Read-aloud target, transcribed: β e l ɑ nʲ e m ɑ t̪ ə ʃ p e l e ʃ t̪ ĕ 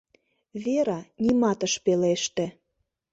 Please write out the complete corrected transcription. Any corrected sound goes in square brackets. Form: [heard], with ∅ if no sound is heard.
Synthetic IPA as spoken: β e [ɾ] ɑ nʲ [i] m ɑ t̪ ə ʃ p e l e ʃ t̪ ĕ

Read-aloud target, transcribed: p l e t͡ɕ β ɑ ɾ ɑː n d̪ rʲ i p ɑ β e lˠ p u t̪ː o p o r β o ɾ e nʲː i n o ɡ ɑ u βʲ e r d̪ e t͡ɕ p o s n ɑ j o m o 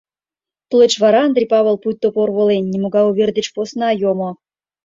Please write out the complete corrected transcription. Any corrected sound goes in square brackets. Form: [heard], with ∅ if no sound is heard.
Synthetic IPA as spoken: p l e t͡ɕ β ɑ ɾ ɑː n d̪ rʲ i p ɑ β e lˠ p u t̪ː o p o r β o [l] e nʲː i [m] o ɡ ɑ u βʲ e r d̪ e t͡ɕ p o s n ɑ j o m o

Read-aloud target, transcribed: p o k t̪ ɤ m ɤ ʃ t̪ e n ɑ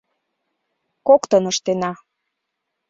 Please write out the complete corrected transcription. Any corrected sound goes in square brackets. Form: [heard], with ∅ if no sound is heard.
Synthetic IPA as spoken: [k] o k t̪ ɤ [n] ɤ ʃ t̪ e n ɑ

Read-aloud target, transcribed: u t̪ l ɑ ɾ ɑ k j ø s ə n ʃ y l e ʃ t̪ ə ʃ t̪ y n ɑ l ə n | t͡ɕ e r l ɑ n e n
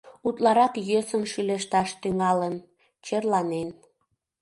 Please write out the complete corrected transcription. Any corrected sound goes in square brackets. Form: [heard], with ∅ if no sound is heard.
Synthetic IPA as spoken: u t̪ l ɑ ɾ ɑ k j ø s ə n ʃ y l e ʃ t̪ [ɑ] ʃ t̪ y [ŋ] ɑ l ə n | t͡ɕ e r l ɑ n e n

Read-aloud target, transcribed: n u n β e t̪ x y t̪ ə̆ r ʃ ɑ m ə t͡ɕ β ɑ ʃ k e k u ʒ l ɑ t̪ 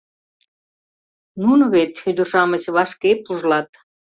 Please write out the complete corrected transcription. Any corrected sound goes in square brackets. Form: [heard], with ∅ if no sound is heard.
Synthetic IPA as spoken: n u n β e t̪ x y [d̪] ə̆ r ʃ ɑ m ə t͡ɕ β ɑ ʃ k e [p] u ʒ l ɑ t̪

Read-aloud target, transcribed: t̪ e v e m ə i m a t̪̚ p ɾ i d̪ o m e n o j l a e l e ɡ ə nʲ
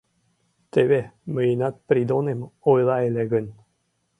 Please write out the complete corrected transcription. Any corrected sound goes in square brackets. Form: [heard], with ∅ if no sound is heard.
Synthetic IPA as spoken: t̪ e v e m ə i [n] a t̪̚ p ɾ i d̪ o [n] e [m] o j l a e l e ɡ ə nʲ

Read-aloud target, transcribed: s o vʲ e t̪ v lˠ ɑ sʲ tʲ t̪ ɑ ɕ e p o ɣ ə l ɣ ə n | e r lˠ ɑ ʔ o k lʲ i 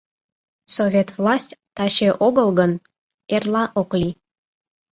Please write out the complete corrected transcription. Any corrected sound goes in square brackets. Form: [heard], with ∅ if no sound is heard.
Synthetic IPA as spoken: s o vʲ e t̪ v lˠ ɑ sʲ tʲ t̪ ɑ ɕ e [ʔ] o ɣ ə l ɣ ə n | e r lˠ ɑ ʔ o k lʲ i

